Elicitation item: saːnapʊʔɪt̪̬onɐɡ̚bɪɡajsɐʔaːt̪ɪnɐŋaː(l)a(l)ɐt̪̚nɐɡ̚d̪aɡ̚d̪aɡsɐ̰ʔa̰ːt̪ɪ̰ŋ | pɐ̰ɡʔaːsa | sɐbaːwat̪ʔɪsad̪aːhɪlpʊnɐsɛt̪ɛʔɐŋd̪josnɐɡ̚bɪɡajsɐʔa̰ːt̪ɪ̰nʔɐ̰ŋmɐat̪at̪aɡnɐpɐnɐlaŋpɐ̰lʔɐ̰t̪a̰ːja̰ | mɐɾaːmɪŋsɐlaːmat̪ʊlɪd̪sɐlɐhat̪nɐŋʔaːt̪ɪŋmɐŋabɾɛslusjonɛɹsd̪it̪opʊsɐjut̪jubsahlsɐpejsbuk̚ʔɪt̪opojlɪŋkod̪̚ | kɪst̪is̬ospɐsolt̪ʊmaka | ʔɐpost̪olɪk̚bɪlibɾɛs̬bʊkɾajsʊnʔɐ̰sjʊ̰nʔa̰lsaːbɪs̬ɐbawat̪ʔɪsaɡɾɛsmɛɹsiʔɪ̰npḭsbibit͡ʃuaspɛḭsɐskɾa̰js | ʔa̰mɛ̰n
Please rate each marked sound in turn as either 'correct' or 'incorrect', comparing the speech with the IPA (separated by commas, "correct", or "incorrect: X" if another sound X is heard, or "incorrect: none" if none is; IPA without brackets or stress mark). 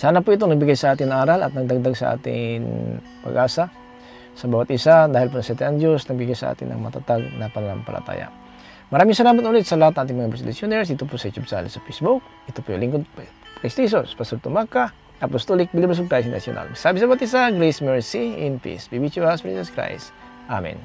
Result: incorrect: ɾ, correct